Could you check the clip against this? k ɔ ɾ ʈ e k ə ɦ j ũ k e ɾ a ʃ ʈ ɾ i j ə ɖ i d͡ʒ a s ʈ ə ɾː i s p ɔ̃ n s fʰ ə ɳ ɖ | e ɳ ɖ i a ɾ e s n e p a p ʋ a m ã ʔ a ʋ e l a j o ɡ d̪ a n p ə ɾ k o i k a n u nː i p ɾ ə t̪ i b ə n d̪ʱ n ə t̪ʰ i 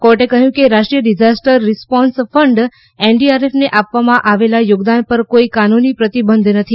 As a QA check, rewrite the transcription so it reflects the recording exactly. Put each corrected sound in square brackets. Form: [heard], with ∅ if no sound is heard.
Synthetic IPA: k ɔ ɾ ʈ e k ə ɦ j ũ k e ɾ a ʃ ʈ ɾ i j ə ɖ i d͡ʒ a s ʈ ə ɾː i s p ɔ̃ n s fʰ ə ɳ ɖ | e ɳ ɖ i a ɾ e [f] n e [ʔ] a p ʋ a m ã ʔ a ʋ e l a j o ɡ d̪ a n p ə ɾ k o i k a n u [n] i p ɾ ə t̪ i b ə n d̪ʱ n ə t̪ʰ i